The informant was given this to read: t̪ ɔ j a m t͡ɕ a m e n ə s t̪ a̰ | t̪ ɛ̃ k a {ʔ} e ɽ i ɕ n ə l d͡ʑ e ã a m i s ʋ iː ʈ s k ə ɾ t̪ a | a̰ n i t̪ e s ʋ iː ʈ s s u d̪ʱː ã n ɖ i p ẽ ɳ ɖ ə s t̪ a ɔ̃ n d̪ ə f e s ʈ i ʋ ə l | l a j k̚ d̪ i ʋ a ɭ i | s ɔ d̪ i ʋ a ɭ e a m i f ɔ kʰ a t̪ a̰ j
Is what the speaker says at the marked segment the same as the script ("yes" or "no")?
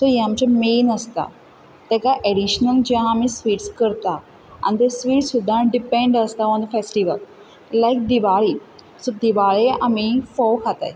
yes